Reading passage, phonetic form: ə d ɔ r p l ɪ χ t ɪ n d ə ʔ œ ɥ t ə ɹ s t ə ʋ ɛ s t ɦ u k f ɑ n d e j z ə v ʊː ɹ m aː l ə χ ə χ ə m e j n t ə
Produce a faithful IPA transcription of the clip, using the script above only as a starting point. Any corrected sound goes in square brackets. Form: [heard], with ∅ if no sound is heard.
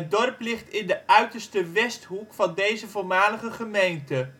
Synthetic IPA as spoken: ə d ɔ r p l ɪ χ t ɪ n d ə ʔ œ ɥ t ə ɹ s t ə ʋ ɛ s t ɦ u k f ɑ n d e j z ə v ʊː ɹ m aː l ə χ ə χ ə m e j n t ə